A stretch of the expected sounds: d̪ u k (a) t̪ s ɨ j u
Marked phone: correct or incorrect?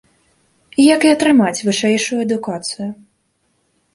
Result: correct